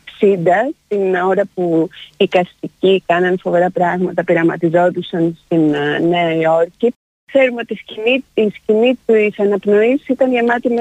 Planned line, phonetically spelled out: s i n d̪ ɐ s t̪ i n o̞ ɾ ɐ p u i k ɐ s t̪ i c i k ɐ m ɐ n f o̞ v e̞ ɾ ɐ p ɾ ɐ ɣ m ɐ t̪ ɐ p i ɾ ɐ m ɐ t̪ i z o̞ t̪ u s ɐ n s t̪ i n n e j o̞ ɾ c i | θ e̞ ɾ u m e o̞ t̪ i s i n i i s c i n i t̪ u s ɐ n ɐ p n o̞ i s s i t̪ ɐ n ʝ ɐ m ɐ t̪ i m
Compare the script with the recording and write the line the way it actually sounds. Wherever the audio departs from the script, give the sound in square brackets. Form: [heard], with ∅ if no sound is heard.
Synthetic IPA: s i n d̪ ɐ s t̪ i n o̞ ɾ ɐ p u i k ɐ s t̪ i c i k ɐ [n] ɐ n f o̞ v e̞ ɾ ɐ p ɾ ɐ ɣ m ɐ t̪ ɐ p i ɾ ɐ m ɐ t̪ i z o̞ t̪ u s ɐ n s t̪ i n n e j o̞ ɾ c i | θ e̞ ɾ u m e o̞ t̪ i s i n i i s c i n i t̪ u s ɐ n ɐ p n o̞ i s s i t̪ ɐ n ʝ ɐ m ɐ t̪ i m